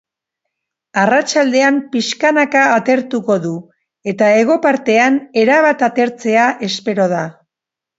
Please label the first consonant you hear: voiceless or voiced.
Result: voiced